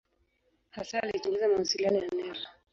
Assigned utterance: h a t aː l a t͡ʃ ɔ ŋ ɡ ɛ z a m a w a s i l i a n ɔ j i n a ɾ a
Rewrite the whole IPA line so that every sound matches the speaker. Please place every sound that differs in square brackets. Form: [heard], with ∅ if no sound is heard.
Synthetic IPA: h a [s] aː l [i] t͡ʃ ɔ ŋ ɡ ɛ z a m a w a s i l i a n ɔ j [a] n [ɛ] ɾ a